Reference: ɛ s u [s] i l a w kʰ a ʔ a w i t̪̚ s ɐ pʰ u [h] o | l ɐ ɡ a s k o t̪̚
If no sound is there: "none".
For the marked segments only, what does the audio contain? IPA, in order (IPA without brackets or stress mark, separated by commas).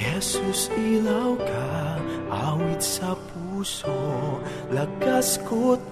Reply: s, s